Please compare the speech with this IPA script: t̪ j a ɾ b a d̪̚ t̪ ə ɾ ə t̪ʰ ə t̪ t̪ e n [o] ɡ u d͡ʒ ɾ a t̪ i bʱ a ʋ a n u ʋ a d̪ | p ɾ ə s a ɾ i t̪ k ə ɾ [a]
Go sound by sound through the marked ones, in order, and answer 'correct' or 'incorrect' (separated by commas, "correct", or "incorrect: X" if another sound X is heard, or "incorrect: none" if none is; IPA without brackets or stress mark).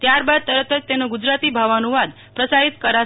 correct, correct